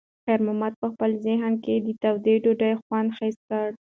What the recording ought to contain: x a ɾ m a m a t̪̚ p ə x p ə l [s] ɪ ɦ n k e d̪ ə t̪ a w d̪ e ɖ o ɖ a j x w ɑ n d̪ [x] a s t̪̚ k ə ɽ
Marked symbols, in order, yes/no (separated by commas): no, yes